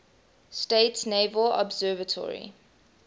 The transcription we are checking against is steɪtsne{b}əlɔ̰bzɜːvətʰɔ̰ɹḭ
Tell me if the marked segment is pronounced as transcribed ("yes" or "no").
no